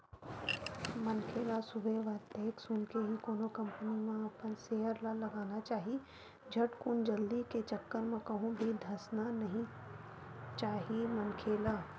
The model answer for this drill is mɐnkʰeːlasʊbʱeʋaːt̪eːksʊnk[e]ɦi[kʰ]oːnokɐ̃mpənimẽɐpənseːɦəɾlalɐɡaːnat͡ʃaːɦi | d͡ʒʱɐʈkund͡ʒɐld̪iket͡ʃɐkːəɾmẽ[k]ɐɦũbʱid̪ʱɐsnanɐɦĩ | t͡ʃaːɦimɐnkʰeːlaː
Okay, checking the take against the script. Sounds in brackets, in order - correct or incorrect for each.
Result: correct, incorrect: k, correct

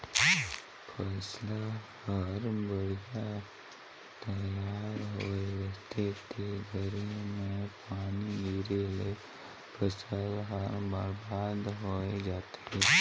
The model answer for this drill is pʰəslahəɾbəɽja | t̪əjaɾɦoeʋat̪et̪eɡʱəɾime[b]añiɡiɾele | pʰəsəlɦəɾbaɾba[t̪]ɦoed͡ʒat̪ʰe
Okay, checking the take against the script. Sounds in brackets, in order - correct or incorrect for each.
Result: incorrect: p, incorrect: d̪

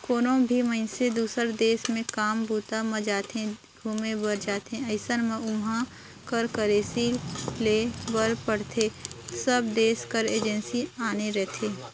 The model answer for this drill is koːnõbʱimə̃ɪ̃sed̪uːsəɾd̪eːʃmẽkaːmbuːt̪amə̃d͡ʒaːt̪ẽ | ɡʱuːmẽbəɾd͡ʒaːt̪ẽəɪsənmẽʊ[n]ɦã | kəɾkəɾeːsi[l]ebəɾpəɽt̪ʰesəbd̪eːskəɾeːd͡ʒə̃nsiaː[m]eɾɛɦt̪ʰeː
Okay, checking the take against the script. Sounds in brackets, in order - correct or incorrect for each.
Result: incorrect: m, correct, incorrect: n

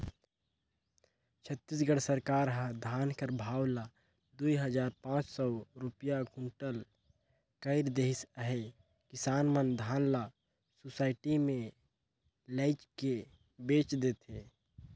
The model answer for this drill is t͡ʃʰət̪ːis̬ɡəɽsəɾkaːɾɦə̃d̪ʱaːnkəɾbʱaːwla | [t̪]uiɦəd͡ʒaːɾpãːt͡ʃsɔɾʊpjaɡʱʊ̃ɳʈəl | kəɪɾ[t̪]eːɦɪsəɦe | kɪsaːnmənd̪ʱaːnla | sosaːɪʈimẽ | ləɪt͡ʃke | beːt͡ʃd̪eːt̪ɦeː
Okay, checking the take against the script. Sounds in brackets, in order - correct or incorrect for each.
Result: incorrect: d̪, incorrect: d̪

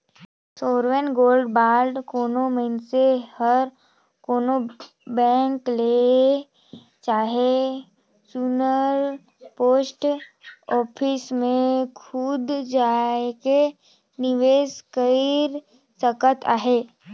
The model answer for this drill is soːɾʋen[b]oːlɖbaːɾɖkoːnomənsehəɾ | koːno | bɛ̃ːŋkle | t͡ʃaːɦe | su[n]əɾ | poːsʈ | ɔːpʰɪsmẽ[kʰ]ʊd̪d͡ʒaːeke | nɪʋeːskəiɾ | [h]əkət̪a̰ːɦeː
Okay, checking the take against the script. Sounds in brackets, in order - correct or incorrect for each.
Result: incorrect: ɡ, correct, correct, incorrect: s

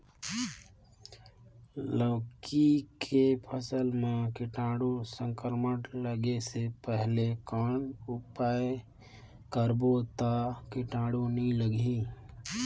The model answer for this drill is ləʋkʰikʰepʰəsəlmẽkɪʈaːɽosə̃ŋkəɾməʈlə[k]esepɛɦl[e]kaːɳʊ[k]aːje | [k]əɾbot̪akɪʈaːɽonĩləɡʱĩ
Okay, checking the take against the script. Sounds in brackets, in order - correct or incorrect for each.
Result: incorrect: ɡ, correct, incorrect: p, correct

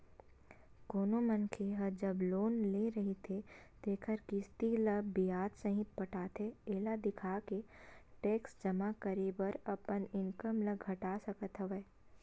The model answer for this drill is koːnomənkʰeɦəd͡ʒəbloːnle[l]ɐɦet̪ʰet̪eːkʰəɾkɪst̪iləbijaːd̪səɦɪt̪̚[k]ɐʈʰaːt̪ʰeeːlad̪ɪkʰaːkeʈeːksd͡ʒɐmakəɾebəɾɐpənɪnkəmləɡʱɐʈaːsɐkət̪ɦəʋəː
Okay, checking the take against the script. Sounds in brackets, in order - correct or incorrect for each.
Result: incorrect: ɾ, incorrect: p

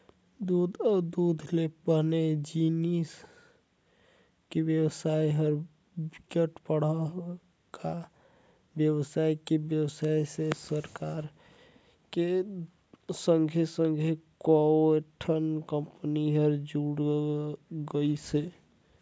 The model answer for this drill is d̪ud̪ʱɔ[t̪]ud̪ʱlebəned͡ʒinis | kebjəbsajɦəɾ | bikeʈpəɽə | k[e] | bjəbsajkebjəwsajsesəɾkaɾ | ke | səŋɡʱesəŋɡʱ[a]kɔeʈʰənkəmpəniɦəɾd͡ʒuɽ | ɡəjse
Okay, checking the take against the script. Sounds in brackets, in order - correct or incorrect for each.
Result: incorrect: d̪, incorrect: a, incorrect: e

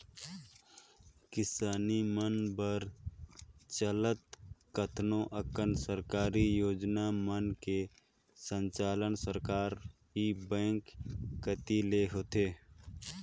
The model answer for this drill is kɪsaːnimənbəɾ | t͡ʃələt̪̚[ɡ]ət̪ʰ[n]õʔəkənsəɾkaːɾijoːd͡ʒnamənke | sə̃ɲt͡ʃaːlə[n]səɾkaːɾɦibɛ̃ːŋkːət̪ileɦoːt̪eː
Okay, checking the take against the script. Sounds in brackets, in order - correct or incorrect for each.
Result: incorrect: k, correct, correct

